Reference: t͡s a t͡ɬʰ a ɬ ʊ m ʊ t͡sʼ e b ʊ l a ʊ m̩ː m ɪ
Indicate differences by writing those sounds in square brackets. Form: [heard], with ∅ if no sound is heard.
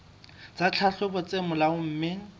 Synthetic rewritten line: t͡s a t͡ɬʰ a ɬ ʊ [b] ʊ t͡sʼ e [m] ʊ l a ʊ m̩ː m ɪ